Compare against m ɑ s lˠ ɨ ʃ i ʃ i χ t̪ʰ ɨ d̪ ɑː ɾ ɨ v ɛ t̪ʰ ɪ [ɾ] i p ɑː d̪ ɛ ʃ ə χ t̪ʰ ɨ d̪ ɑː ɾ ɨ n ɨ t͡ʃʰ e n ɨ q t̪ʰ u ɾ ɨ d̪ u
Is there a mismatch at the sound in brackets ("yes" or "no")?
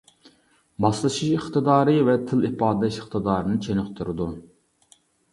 yes